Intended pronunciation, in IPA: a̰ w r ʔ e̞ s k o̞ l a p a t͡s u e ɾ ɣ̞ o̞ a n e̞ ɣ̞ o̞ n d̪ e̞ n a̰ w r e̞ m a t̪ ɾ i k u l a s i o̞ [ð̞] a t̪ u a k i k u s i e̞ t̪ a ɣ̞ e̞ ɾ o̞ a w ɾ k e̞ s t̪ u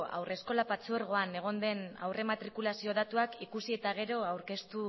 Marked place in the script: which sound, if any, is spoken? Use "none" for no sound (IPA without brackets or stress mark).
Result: ð̞